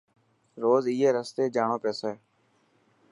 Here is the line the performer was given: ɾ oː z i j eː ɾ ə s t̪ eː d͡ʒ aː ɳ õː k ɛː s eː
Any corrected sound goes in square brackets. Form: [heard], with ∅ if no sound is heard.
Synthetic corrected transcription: ɾ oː z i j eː ɾ ə s t̪ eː d͡ʒ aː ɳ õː [p] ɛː s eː